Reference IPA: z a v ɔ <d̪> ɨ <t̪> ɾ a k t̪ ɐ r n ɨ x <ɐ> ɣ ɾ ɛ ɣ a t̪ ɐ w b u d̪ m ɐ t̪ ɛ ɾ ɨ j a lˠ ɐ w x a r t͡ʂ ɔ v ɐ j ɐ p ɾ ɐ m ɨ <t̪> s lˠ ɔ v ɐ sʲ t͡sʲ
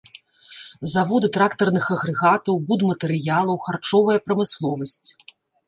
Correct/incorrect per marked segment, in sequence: correct, correct, correct, incorrect: none

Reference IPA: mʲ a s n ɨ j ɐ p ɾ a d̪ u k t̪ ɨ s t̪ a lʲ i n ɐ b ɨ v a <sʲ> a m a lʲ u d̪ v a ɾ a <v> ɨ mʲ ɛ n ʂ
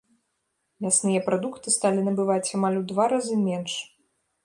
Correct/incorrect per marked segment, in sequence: incorrect: t͡sʲ, incorrect: z

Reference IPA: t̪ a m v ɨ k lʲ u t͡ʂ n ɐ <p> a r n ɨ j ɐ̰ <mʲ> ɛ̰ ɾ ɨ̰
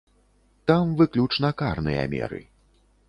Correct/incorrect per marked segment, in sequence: incorrect: k, correct

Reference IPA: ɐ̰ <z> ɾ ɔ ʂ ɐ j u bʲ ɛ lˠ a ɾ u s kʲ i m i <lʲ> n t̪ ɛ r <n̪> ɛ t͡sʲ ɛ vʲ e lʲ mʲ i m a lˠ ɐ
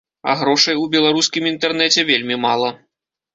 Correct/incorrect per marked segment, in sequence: incorrect: ɣ, incorrect: none, correct

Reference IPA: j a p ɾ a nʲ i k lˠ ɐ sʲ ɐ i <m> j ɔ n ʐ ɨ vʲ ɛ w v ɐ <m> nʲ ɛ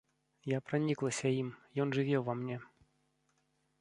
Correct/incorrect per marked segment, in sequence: correct, correct

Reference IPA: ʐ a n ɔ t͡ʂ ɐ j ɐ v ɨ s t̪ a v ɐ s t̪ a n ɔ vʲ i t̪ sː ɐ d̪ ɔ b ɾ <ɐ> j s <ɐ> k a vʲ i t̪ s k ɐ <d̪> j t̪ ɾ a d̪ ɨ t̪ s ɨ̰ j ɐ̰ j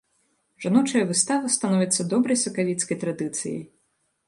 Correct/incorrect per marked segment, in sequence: correct, correct, incorrect: none

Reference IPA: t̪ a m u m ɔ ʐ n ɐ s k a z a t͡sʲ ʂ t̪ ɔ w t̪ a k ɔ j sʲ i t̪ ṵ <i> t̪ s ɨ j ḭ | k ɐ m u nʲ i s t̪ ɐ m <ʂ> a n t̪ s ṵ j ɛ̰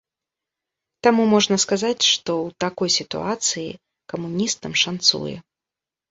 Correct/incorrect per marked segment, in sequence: incorrect: a, correct

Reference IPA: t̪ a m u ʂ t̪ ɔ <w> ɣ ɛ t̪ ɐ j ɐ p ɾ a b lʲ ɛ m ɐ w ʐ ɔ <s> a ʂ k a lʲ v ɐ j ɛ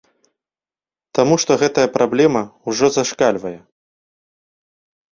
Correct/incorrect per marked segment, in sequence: incorrect: none, incorrect: z

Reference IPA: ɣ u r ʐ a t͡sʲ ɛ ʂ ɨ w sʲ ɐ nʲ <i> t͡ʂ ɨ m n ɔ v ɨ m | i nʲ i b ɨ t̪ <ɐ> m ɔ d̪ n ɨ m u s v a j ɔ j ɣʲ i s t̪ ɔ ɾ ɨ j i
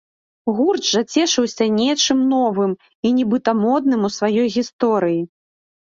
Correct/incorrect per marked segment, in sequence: incorrect: ɛ, correct

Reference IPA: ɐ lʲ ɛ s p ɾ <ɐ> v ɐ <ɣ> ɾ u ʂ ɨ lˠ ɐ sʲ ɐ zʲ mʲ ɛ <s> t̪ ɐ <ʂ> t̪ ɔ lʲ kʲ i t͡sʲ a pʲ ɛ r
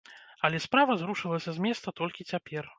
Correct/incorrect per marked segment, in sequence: incorrect: a, incorrect: z, correct, incorrect: none

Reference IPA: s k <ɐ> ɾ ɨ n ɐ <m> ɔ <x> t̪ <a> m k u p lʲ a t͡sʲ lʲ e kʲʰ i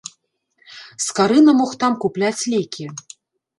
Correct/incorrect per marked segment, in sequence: incorrect: a, correct, correct, correct

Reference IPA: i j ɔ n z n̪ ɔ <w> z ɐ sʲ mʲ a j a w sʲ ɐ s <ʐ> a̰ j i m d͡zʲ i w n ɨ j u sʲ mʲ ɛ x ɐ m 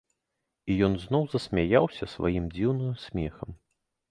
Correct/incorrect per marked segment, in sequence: correct, incorrect: v

